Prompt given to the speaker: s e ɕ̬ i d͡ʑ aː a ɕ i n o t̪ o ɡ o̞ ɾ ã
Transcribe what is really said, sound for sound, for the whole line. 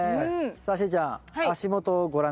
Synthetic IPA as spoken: s a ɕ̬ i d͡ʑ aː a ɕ i m o t̪ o ɡ o̞ ɾ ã